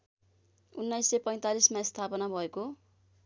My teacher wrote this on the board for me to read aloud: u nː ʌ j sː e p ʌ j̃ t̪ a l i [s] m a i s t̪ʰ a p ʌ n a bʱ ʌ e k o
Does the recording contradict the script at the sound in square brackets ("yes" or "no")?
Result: no